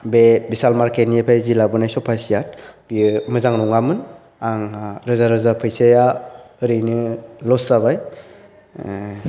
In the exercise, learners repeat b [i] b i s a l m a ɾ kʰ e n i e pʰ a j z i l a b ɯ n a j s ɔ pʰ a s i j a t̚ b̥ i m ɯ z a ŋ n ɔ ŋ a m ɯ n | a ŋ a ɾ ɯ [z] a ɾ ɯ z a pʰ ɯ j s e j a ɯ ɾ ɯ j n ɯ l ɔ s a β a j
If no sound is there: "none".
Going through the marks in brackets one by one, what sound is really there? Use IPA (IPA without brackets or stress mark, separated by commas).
e, z